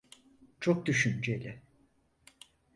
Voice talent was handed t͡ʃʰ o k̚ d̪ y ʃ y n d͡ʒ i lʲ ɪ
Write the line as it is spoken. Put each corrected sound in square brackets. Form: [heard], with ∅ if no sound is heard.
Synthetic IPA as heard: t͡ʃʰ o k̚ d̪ y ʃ y n d͡ʒ [e] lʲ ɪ